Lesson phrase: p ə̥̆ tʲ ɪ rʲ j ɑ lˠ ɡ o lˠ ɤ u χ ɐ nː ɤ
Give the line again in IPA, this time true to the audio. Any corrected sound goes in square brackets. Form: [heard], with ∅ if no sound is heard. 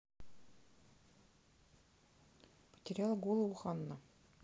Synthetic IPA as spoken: p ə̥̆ tʲ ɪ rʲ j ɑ lˠ ɡ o lˠ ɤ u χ [ɑ] nː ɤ